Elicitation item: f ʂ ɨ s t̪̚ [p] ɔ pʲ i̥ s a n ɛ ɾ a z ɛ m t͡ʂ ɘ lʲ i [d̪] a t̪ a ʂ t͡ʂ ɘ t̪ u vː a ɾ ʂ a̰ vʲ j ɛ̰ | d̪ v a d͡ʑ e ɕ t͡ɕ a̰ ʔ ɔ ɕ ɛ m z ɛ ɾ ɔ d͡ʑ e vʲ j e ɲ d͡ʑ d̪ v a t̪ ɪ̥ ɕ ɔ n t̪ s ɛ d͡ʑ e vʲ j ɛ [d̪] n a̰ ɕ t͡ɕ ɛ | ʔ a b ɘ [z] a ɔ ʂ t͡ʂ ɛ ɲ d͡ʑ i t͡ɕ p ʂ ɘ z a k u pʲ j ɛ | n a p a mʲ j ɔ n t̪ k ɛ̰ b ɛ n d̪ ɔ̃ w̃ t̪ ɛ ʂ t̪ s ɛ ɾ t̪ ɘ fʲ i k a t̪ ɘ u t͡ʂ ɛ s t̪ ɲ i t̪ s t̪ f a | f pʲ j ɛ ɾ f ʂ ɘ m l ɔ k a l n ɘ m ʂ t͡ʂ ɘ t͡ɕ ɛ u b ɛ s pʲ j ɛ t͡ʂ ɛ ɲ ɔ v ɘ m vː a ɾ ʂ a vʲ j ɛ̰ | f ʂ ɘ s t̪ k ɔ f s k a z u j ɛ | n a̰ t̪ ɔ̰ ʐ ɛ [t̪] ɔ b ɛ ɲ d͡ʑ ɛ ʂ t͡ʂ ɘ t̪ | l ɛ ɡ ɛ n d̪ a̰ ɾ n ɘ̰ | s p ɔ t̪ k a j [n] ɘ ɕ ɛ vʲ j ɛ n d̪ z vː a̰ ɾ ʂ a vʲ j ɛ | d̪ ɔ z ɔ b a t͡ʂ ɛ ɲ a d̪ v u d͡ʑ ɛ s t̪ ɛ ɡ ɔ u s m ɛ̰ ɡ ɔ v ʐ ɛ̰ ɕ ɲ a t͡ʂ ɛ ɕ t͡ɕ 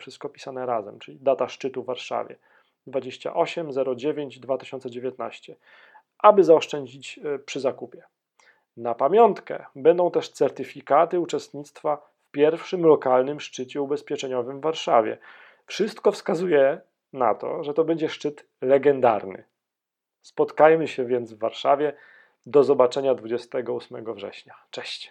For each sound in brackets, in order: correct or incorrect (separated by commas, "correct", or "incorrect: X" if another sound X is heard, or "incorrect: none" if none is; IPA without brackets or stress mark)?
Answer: incorrect: k, correct, incorrect: t̪, correct, correct, incorrect: m